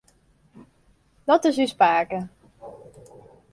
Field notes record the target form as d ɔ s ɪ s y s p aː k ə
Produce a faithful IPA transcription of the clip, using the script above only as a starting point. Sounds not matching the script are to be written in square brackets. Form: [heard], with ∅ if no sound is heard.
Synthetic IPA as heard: d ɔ [t] ɪ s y s p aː k ə